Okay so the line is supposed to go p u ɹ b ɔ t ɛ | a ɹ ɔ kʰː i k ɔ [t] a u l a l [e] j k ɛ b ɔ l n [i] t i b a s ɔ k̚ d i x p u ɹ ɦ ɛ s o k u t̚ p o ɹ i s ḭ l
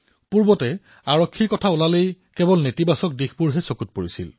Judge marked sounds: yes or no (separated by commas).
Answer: no, yes, no